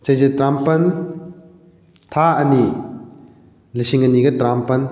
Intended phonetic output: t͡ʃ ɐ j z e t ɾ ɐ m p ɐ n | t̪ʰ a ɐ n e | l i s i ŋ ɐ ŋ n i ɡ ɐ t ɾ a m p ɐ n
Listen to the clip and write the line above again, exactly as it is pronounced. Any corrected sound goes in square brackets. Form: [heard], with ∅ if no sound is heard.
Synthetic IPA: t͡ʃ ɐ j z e t ɾ [a] m p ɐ n | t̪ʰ a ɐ n [i] | l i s i ŋ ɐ [∅] n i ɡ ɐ t ɾ a m p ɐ n

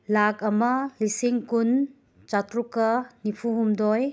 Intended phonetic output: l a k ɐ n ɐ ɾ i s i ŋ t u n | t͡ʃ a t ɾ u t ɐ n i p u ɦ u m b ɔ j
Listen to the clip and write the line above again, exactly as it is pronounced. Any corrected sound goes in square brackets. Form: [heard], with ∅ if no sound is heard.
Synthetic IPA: l a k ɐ [m] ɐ [l] i s i ŋ [k] u n | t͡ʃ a t ɾ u [k] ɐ n i [pʰ] u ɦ u m [d] ɔ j

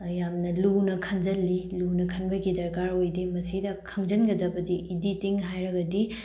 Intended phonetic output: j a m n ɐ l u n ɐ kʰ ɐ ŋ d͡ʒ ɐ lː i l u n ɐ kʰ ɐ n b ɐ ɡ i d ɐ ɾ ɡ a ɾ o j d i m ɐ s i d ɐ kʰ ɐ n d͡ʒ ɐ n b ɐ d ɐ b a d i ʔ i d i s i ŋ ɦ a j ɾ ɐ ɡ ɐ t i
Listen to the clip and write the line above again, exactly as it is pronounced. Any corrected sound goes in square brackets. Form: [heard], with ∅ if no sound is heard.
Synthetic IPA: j a m n ɐ l u n ɐ kʰ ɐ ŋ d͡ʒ ɐ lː i l u n ɐ kʰ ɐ n b ɐ ɡ i d ɐ ɾ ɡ a ɾ o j d i m ɐ s i d ɐ kʰ ɐ [ŋ] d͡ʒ ɐ n [ɡ] ɐ d ɐ b [ɐ] d i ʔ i d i [t] i ŋ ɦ a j ɾ ɐ ɡ ɐ [d] i

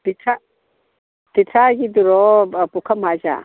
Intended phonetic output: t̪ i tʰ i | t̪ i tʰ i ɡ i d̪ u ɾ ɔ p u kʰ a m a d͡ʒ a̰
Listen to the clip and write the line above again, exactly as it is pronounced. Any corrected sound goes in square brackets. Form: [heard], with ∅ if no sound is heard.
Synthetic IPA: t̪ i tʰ [a] | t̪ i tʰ [a] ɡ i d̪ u ɾ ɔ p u kʰ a m a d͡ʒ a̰

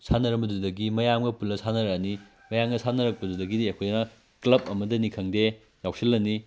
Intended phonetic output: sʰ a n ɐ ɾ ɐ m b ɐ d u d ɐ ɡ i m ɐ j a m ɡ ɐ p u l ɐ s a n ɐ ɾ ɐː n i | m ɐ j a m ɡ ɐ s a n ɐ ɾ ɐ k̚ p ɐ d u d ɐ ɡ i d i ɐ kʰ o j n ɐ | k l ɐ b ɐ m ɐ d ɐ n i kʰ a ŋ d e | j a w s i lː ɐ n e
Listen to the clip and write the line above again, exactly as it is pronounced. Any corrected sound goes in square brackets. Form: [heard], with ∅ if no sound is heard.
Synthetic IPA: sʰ a n ɐ ɾ ɐ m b ɐ d u d ɐ ɡ i m ɐ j a m ɡ ɐ p u l ɐ s a n ɐ ɾ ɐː n i | m ɐ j a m ɡ ɐ s a n ɐ ɾ ɐ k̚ p ɐ d u d ɐ ɡ i d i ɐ kʰ o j n ɐ | k l ɐ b ɐ m ɐ d ɐ n i kʰ [ɐ] ŋ d e | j a w s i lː ɐ n [i]

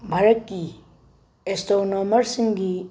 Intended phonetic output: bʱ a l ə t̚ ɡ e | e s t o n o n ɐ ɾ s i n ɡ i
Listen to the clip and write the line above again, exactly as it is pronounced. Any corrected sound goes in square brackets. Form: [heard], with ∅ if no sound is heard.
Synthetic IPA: bʱ a [ɾ] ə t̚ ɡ [i] | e s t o n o [m] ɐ ɾ s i [ŋ] ɡ i

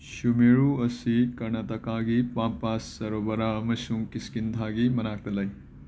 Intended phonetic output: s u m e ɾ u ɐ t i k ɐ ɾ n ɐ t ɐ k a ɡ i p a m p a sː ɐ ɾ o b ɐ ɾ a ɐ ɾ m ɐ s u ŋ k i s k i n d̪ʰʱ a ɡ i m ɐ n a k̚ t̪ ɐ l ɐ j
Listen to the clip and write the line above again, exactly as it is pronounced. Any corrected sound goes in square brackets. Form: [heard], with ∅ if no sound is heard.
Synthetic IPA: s u m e ɾ u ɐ [s] i k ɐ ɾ n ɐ t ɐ k a ɡ i p a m p a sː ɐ ɾ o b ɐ ɾ a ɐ [∅] m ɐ s u ŋ k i s k i n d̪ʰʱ a ɡ i m ɐ n a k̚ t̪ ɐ l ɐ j

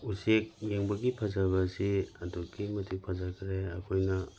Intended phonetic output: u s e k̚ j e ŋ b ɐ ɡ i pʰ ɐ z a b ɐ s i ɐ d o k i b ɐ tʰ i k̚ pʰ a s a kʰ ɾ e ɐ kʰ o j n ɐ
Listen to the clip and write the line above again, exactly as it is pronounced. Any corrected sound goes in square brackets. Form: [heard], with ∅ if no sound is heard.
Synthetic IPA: u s e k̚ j e ŋ b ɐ ɡ i pʰ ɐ z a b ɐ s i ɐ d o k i [m] ɐ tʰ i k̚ pʰ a [z] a kʰ ɾ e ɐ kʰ o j n ɐ

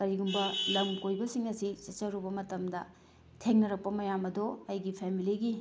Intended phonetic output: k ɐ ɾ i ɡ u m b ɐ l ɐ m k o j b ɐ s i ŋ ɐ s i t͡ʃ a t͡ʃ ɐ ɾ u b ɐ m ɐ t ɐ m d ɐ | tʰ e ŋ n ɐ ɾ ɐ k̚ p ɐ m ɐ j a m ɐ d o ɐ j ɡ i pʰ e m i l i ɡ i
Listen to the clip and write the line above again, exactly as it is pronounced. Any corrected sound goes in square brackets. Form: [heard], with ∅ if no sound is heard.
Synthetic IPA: k ɐ ɾ i ɡ u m b ɐ l ɐ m k o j b ɐ s i ŋ ɐ s i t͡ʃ [ɐ] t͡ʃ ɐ ɾ u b ɐ m ɐ t ɐ m d ɐ | tʰ e ŋ n ɐ ɾ ɐ k̚ p ɐ m ɐ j a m ɐ d o ɐ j ɡ i pʰ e m i l i ɡ i

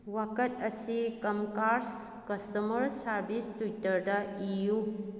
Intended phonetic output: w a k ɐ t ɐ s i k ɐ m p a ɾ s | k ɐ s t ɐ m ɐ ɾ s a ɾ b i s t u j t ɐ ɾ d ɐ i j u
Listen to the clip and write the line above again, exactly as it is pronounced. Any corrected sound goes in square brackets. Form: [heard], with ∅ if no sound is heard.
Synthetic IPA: w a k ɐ t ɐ s i k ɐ m [k] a ɾ s | k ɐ s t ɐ m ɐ ɾ s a ɾ b i s t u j t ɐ ɾ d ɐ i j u

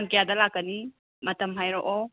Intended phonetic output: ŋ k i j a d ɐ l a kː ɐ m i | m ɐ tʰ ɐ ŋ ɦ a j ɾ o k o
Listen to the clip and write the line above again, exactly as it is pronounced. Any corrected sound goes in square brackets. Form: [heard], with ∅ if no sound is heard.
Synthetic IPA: ŋ k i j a d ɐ l a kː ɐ [n] i | m ɐ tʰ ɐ [m] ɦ a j ɾ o [ʔ] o

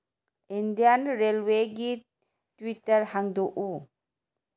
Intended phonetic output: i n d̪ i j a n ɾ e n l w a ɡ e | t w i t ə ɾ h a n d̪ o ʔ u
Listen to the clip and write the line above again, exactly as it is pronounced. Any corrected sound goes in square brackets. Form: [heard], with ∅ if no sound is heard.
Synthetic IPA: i n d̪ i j a n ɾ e [∅] l w [e] ɡ [i] | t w i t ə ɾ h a [ŋ] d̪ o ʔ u

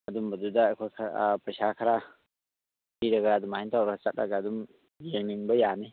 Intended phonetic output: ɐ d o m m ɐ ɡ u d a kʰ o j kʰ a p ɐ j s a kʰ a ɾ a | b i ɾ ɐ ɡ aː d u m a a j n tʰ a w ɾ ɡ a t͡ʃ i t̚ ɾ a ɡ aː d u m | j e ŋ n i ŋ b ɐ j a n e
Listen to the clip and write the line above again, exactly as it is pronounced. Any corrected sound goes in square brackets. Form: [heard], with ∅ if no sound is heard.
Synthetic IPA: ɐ d [u] m [b] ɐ [d] u d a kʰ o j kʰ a p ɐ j s a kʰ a ɾ a | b i ɾ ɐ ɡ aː d u m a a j n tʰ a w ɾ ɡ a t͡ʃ [a] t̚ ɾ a ɡ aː d u m | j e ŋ n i ŋ b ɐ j a n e

